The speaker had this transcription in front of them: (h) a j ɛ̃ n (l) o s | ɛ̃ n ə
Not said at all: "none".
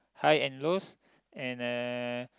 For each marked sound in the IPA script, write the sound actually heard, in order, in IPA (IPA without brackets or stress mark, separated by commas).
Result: h, l